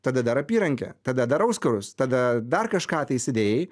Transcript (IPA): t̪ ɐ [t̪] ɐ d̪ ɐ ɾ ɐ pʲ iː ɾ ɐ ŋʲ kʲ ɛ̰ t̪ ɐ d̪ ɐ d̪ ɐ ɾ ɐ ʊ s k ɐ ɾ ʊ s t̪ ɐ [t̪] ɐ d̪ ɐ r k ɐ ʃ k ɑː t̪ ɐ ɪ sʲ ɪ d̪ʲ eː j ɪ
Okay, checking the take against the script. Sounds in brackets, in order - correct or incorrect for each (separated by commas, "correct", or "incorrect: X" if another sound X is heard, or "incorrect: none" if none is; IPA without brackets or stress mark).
incorrect: d̪, incorrect: d̪